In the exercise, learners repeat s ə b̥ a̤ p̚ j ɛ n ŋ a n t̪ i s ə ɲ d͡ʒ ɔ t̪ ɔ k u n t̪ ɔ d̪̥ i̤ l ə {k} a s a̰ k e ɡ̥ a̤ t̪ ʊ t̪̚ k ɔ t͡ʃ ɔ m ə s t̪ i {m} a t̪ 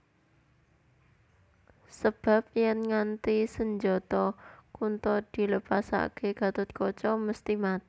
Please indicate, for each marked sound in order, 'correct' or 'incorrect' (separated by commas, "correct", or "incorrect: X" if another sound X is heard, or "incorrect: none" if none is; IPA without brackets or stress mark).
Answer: incorrect: p, correct